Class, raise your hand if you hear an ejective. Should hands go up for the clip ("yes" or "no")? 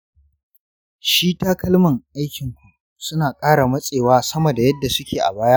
yes